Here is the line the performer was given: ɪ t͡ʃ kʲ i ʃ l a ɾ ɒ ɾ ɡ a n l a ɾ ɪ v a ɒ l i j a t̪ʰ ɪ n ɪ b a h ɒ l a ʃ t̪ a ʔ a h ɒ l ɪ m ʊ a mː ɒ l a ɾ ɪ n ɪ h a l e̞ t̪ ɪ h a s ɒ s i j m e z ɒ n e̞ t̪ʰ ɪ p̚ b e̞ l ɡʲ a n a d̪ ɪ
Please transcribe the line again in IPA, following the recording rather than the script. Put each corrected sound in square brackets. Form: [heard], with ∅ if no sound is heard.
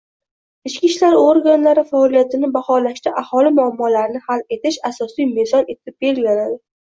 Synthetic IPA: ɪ t͡ʃ kʲ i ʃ l a ɾ [o] ɾ ɡ a n l a ɾ ɪ [f] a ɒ l i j a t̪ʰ ɪ n ɪ b a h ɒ l a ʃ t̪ a ʔ a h ɒ l ɪ m ʊ a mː ɒ l a ɾ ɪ n ɪ h a l e̞ t̪ ɪ [ʃ] a s ɒ s i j m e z ɒ n e̞ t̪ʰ ɪ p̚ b e̞ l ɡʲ a n a d̪ ɪ